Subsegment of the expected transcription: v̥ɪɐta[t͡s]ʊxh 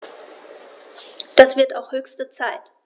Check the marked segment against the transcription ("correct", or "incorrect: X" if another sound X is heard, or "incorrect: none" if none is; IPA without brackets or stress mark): incorrect: none